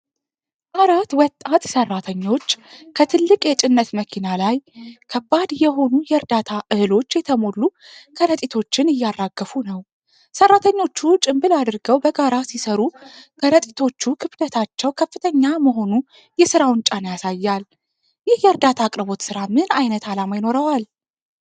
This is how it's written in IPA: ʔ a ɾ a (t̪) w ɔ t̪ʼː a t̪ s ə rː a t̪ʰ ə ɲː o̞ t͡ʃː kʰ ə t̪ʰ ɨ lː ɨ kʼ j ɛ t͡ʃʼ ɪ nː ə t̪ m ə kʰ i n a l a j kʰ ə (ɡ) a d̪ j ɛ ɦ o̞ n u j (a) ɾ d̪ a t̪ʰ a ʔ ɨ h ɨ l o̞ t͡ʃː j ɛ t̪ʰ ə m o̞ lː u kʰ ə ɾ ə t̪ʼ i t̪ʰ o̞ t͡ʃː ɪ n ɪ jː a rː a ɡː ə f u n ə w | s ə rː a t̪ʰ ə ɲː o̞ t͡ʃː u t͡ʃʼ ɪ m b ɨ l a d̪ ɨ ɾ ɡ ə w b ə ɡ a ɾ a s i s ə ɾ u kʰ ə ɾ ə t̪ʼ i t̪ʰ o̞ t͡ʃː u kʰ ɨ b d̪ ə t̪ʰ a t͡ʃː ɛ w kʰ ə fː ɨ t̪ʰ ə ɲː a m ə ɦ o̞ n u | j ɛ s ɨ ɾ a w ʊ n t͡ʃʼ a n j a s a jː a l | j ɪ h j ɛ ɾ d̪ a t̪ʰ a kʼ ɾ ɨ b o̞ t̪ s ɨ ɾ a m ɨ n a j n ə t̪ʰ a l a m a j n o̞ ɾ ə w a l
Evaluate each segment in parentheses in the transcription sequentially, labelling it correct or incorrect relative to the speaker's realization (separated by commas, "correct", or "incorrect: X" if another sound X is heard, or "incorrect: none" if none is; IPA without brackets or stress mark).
correct, incorrect: b, incorrect: ɛ